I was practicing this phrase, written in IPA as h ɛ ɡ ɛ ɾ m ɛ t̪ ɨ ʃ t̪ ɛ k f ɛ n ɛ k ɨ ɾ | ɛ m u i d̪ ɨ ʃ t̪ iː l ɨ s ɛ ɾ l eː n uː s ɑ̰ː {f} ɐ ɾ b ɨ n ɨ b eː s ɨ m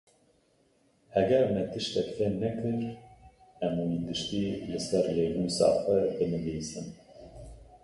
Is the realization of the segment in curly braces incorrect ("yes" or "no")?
no